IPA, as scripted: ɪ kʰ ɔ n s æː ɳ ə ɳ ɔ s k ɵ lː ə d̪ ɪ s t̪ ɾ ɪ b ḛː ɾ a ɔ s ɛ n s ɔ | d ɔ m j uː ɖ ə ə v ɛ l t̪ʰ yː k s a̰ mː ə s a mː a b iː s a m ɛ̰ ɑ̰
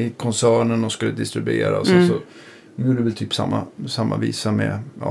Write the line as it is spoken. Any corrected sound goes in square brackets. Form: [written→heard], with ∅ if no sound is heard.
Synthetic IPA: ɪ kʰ ɔ n s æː ɳ ə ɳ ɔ s k ɵ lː ə d̪ ɪ s t̪ ɾ ɪ b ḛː ɾ a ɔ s ɛ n s ɔ | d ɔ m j uː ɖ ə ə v ɛ l t̪ʰ yː [k→p] s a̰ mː [ə→a] s a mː a [b→v] iː s a m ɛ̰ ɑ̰